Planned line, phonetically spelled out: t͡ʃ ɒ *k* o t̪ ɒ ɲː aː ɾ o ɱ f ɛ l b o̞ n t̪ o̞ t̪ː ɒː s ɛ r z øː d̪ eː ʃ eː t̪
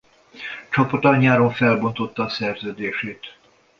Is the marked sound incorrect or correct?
incorrect